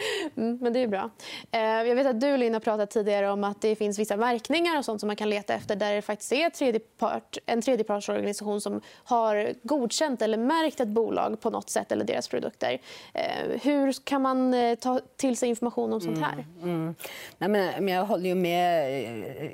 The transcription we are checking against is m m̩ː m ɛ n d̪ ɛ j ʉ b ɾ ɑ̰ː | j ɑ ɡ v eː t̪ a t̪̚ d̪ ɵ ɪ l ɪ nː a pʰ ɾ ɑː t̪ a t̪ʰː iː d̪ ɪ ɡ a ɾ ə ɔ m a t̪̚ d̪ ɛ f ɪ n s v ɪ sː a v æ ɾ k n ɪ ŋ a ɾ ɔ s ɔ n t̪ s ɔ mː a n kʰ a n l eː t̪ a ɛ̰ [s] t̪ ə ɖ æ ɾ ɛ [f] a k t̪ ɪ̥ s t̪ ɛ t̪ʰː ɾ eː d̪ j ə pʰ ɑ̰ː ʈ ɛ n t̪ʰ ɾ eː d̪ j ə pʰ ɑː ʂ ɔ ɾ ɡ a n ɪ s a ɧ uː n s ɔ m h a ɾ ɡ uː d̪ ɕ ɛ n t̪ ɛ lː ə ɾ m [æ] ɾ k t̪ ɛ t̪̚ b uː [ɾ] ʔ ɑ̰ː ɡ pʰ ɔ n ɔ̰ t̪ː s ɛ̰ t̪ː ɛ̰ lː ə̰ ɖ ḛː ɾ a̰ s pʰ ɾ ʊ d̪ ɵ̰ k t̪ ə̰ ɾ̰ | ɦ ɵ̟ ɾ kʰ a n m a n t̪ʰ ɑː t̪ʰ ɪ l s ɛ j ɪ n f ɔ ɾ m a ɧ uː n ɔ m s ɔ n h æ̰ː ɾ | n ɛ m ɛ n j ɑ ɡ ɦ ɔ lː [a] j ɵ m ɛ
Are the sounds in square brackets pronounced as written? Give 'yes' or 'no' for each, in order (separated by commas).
no, yes, yes, no, no